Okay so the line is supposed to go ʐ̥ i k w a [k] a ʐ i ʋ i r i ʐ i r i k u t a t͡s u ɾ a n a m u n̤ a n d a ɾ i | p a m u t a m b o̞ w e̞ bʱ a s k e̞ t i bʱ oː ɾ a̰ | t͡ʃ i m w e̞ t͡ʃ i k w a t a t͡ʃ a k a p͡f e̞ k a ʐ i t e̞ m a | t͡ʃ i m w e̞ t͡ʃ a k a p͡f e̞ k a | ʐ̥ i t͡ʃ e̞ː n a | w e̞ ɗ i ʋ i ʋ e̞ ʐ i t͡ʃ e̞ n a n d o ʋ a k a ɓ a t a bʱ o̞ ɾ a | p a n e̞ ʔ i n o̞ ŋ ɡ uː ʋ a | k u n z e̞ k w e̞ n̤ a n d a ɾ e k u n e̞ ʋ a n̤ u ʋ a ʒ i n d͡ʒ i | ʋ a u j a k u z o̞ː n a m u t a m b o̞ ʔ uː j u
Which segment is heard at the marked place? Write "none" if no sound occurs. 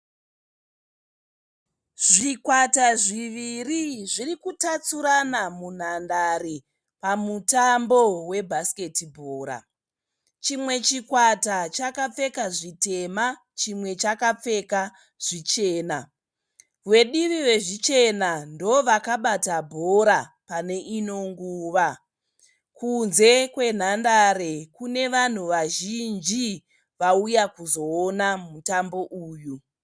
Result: t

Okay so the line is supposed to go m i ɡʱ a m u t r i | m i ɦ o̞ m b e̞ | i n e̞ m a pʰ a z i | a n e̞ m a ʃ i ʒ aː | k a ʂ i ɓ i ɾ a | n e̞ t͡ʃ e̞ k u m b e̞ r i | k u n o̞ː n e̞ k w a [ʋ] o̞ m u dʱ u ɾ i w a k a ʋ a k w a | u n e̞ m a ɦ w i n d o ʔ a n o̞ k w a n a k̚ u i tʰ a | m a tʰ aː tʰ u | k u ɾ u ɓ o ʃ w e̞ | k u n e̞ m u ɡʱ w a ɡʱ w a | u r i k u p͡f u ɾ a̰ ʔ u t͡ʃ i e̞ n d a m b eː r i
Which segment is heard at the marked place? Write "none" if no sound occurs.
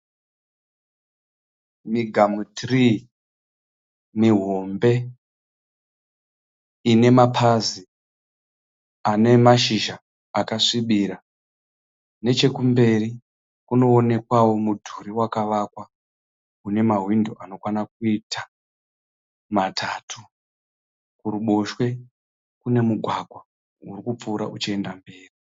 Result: w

